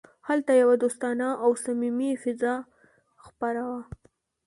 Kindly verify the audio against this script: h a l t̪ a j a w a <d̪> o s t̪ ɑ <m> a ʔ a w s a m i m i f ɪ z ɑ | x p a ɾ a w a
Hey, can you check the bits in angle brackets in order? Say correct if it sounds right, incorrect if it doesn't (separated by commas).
correct, incorrect